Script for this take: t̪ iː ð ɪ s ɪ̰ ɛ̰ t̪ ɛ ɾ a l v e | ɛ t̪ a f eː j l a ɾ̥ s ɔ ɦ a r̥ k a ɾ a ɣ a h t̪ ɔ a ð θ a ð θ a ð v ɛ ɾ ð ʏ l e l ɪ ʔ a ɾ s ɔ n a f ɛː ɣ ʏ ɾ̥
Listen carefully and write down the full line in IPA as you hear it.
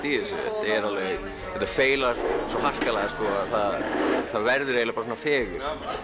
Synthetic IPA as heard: t̪ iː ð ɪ s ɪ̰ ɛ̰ t̪ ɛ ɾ a l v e | ɛ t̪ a f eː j l a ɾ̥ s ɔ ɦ a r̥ k a l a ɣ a s t̪ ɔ a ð θ a ð θ a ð v ɛ ɾ ð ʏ ɾ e l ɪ p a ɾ s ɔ n a f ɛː ɣ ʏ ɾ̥